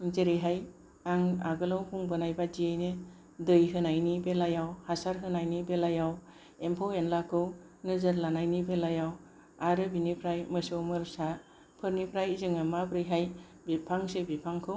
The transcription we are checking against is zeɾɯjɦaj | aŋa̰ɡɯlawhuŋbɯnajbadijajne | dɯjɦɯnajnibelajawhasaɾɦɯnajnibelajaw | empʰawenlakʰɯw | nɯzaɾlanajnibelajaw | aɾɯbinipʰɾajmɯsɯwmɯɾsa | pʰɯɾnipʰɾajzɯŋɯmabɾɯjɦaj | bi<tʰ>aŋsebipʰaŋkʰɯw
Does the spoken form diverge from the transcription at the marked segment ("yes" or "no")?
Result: yes